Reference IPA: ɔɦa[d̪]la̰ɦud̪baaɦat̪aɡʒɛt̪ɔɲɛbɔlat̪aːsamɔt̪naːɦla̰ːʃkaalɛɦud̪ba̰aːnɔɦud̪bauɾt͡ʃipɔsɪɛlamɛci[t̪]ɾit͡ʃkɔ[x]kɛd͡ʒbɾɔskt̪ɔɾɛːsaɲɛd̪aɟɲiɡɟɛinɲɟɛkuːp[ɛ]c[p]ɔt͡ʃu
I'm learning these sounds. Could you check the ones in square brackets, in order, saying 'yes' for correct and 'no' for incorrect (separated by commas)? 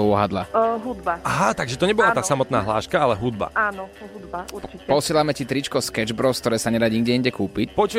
yes, yes, no, no, yes